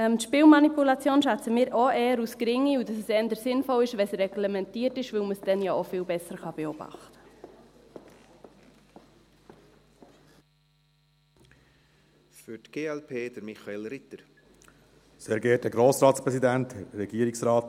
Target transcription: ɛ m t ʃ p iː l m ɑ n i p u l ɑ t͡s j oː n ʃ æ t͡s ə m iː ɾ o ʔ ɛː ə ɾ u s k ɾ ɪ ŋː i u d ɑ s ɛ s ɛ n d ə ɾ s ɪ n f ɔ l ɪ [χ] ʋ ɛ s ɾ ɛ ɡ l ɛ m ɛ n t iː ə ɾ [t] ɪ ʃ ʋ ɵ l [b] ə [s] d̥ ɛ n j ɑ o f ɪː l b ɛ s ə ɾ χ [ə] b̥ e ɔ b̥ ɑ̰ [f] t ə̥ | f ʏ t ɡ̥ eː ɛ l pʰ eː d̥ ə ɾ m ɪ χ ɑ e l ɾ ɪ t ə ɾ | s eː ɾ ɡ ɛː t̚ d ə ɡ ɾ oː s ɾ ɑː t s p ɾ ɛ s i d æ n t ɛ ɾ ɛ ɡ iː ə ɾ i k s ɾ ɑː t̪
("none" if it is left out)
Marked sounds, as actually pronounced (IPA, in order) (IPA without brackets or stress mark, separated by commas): ʃ, t, m, s, ɑ, χ